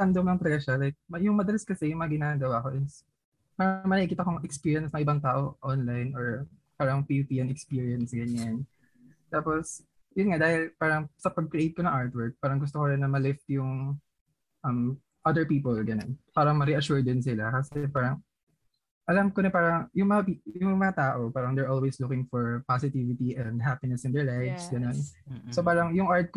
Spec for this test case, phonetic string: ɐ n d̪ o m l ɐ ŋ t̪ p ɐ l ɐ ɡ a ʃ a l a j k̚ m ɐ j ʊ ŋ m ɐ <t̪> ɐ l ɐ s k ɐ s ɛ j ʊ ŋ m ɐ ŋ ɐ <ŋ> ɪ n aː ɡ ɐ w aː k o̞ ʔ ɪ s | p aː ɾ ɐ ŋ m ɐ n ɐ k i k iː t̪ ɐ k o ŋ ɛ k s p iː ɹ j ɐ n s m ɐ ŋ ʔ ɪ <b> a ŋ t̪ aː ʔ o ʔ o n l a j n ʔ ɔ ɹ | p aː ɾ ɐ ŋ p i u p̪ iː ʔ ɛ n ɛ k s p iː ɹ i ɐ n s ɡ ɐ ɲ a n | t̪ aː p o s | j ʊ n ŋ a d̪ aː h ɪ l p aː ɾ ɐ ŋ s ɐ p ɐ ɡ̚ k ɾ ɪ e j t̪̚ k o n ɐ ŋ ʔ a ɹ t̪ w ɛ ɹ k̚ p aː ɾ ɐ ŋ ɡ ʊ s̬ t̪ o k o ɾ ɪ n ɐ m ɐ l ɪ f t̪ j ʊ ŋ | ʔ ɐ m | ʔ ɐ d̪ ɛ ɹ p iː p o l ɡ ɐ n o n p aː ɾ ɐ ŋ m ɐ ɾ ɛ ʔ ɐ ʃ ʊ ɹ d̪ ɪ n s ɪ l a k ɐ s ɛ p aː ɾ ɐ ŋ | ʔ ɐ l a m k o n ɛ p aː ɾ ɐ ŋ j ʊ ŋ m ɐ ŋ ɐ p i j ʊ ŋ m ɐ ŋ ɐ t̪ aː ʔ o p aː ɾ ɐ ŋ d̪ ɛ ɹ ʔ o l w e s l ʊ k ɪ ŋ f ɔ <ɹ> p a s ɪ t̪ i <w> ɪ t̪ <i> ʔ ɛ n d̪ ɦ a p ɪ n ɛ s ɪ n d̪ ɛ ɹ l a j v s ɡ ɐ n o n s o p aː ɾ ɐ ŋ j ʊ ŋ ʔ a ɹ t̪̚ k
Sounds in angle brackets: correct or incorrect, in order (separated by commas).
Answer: incorrect, incorrect, correct, correct, incorrect, correct